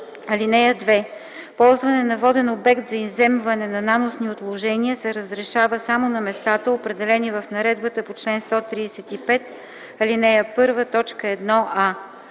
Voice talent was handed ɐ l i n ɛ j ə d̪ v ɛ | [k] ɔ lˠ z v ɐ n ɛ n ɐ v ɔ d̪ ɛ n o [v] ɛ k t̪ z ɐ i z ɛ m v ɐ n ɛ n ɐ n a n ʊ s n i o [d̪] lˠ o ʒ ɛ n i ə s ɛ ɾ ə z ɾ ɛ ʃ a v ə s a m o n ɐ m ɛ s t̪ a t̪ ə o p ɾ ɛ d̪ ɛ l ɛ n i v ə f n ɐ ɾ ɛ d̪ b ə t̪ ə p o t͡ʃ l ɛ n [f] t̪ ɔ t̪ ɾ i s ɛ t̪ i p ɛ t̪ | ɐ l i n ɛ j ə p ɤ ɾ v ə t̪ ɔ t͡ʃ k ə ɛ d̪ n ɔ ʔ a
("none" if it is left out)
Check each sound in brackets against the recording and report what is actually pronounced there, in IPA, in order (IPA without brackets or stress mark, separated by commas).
p, b, t̪, s